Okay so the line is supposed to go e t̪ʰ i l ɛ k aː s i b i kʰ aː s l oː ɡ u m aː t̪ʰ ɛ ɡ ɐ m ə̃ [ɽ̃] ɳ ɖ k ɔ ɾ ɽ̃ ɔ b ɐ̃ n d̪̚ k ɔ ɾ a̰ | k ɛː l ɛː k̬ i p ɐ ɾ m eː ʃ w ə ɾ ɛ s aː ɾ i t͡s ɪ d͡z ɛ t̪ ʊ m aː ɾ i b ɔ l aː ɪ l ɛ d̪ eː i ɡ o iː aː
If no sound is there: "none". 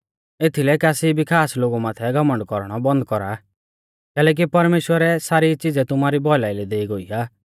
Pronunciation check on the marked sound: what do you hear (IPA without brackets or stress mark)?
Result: none